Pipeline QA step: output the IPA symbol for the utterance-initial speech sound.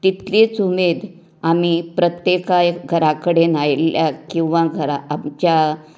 t̪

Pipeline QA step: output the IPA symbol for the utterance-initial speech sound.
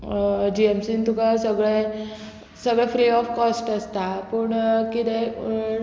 d͡ʑ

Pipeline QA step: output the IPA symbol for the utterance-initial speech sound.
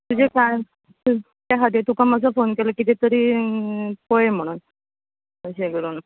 t̪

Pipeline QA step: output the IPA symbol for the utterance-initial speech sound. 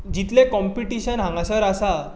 d͡ʑ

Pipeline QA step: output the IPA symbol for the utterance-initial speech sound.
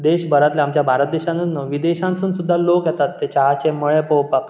d̪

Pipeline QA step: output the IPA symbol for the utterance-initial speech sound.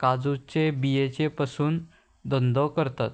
k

